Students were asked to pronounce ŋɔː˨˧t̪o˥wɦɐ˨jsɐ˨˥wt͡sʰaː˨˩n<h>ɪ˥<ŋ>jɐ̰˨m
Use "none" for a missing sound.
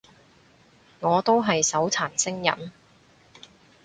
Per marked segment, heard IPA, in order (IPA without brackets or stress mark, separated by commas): s, ŋ